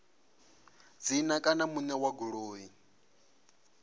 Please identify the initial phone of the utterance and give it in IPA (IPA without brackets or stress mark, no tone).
d͡z